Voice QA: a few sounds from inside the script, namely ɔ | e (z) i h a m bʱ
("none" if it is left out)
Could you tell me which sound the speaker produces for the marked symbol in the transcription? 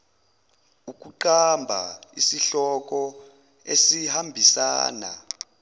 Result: s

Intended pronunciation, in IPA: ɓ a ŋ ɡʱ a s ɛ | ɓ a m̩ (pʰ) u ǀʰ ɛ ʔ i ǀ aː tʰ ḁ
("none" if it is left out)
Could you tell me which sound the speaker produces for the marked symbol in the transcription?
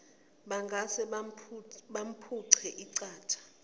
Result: pʰ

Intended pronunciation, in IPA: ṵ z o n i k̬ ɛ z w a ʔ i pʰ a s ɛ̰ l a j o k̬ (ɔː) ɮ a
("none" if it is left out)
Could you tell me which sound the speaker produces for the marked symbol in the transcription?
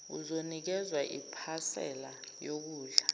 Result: uː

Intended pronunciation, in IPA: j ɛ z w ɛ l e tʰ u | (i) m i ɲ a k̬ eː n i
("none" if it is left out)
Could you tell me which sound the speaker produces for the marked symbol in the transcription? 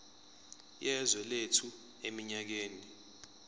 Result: e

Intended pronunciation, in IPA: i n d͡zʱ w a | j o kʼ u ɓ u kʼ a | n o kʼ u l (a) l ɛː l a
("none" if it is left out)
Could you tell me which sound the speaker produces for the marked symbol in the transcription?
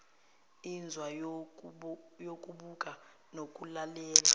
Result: a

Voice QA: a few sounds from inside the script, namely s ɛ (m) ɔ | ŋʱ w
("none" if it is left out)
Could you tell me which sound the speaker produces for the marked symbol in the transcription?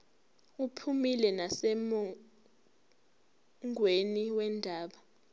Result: m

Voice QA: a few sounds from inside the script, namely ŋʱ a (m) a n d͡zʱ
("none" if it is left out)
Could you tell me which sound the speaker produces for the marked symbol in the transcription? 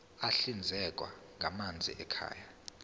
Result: m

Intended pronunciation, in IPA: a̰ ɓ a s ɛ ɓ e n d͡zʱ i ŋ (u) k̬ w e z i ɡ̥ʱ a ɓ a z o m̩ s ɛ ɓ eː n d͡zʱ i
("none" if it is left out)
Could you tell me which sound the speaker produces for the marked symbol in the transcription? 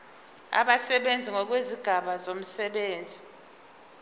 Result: ɔ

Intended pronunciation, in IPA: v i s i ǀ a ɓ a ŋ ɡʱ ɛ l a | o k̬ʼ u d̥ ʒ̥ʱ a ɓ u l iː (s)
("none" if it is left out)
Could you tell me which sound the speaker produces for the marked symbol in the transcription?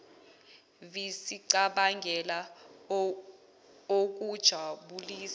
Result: s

